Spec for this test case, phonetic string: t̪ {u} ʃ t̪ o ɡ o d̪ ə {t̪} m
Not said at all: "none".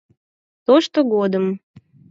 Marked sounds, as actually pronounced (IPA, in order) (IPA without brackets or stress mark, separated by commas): o, none